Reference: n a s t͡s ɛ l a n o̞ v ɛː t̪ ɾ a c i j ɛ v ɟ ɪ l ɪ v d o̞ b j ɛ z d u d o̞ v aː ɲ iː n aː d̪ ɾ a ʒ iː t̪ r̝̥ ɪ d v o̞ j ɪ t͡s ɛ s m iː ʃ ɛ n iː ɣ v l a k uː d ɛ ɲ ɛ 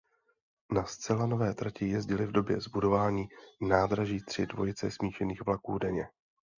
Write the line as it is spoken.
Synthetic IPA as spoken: n a s t͡s ɛ l a n o̞ v ɛː t̪ ɾ a c ɪ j ɛ z ɟ ɪ l ɪ v d o̞ b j ɛ z b u d o̞ v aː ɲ iː n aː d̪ ɾ a ʒ iː t̪ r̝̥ ɪ d v o̞ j ɪ t͡s ɛ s m iː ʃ ɛ n iː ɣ v l a k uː d ɛ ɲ ɛ